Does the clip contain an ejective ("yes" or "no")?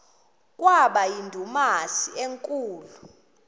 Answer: yes